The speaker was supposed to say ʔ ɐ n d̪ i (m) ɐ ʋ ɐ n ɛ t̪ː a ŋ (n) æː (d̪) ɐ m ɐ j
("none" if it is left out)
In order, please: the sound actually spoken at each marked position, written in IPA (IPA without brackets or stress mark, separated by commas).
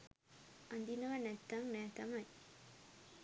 n, n, t̪